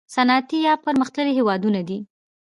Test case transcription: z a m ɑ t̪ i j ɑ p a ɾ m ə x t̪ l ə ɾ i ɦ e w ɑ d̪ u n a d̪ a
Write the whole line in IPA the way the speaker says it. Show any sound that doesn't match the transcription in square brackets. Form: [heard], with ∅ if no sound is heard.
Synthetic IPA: [s] a [n] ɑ t̪ i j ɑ p [ə] ɾ m ə x t̪ l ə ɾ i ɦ e w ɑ d̪ u n a d̪ [i]